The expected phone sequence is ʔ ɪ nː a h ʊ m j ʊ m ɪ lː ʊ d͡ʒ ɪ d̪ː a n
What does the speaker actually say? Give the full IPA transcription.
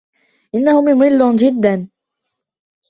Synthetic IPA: ʔ ɪ nː a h ʊ m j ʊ m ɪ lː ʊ d͡ʒ ɪ d̪ː a n

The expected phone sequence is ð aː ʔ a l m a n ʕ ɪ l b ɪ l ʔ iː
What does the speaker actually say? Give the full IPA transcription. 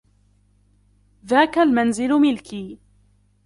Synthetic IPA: ð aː k a l m a n z ɪ l m ɪ l k iː

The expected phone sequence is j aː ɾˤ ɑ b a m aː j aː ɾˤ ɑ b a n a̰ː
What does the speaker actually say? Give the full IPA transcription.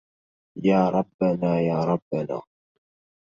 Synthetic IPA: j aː ɾˤ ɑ bː a n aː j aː ɾˤ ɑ bː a n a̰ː

